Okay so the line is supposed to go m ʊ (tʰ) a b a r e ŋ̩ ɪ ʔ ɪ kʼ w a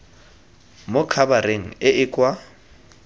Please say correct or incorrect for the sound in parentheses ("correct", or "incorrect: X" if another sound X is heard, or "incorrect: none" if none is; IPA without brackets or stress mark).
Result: incorrect: kʰ